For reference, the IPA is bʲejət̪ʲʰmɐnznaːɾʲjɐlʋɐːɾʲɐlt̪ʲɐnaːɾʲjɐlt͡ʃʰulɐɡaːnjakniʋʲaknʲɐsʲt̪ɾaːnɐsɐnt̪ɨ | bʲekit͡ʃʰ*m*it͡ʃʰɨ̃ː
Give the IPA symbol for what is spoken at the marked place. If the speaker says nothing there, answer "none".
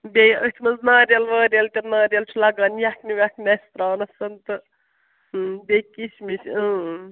m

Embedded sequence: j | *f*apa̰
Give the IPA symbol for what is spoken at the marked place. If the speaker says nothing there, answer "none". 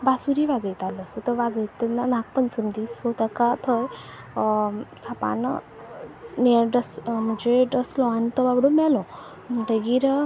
s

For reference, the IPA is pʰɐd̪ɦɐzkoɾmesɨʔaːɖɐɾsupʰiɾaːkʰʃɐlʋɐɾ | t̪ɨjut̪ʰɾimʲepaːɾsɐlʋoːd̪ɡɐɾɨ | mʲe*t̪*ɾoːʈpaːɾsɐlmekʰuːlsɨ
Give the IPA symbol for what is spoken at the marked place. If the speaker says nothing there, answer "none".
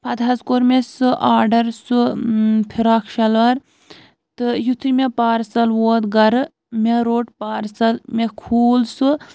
none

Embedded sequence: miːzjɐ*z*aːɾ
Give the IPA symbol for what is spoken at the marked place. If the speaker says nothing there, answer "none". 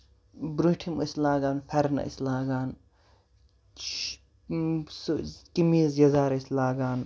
z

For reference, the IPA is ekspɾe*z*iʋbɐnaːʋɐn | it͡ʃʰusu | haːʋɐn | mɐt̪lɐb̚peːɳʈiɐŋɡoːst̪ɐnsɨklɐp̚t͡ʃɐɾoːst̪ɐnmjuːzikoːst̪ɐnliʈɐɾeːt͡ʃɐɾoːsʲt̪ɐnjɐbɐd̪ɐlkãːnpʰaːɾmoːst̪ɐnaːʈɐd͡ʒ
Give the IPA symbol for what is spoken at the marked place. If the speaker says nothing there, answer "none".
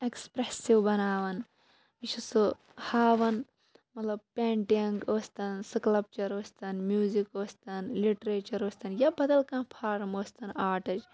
s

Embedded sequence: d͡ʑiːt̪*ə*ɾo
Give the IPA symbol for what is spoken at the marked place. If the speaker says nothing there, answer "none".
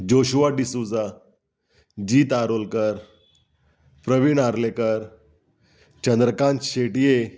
a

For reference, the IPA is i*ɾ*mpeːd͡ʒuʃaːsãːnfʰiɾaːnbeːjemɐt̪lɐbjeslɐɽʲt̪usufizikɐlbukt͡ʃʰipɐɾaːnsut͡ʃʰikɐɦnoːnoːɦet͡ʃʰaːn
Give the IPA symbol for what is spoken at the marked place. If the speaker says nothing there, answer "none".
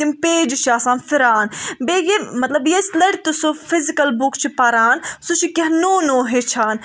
none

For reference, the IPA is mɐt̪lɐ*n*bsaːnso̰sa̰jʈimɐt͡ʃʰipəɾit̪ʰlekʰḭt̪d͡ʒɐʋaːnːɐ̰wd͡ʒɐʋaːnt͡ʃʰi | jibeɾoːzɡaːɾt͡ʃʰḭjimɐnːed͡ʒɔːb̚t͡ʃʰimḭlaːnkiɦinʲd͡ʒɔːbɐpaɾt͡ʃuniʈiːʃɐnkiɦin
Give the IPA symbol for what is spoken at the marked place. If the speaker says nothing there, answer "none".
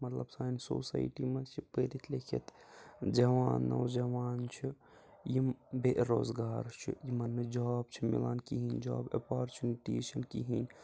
none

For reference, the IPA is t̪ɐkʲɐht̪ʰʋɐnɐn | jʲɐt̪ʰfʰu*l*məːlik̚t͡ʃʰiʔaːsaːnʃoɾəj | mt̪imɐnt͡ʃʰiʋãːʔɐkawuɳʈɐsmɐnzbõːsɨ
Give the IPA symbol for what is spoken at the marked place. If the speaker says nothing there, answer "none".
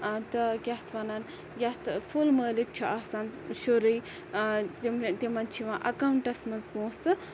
l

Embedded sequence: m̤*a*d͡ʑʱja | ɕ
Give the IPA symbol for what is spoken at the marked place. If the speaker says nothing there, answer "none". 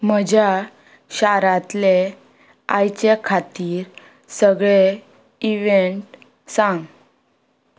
ə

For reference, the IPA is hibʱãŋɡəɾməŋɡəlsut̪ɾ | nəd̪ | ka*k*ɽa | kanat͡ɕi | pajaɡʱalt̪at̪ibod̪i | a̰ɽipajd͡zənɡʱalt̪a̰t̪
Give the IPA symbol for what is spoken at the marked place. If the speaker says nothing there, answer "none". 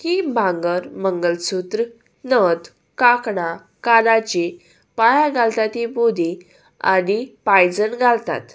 k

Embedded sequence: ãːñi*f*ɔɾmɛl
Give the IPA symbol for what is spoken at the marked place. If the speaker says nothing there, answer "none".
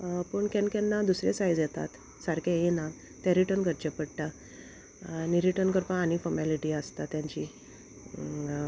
f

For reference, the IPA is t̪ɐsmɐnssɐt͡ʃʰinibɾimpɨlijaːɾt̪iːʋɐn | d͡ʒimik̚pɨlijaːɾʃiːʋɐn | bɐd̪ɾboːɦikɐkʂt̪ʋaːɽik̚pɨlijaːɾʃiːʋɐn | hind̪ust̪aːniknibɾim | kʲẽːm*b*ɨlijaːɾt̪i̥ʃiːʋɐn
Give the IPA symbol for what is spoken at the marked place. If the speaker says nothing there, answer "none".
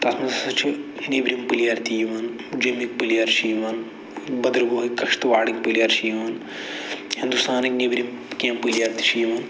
p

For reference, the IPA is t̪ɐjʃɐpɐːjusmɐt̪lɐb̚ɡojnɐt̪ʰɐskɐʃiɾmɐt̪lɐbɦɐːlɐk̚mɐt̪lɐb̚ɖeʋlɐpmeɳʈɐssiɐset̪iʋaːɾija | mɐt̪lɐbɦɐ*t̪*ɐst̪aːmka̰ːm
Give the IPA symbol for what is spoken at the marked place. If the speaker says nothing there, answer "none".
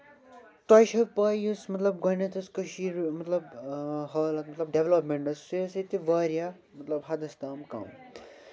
d̪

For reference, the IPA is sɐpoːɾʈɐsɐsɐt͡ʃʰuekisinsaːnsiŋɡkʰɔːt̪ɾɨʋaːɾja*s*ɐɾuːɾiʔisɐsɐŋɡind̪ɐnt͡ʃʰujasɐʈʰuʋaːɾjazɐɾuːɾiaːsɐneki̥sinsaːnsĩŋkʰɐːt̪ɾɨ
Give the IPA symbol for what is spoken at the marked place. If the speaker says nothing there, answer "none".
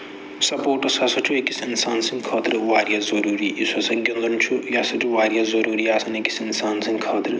z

